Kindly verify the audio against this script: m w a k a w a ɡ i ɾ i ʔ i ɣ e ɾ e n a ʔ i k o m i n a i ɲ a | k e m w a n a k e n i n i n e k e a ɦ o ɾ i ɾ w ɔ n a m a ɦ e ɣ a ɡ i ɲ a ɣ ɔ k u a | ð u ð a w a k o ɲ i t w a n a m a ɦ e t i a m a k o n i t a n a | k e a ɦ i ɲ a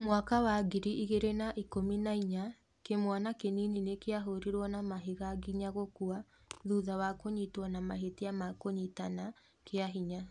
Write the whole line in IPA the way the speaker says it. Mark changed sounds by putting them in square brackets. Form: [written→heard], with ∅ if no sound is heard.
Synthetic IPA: m w a k a w a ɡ i ɾ i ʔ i ɣ e ɾ e n a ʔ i k o m i n a i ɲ a | k e m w a n a k e n i n i n e k e a ɦ o ɾ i ɾ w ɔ n a m a ɦ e ɣ a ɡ i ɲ a ɣ [ɔ→o] k u a | ð u ð a w a k o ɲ i t w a n a m a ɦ e t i a m a k o [n→ɲ] i t a n a | k e a ɦ i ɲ a